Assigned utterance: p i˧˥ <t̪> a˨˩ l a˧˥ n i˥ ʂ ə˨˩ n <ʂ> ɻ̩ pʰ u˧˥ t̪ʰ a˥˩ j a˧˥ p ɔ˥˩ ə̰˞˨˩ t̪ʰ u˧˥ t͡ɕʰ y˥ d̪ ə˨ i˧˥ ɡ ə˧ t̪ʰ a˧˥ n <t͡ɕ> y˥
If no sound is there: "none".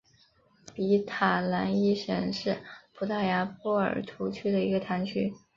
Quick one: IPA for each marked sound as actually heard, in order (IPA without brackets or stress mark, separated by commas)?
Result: t̪ʰ, ʂ, t͡ɕʰ